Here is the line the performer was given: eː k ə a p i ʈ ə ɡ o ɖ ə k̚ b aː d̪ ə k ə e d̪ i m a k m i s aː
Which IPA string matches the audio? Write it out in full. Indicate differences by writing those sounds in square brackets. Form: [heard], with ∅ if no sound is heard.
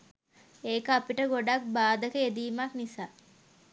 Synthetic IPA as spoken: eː k ə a p i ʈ ə ɡ o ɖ [a] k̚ b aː d̪ ə k ə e d̪ [iː] m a k [n] i s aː